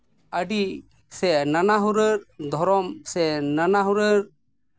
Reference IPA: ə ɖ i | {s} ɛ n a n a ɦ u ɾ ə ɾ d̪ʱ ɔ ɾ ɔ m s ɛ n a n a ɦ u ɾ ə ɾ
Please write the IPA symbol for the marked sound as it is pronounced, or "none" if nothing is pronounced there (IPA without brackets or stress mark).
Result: s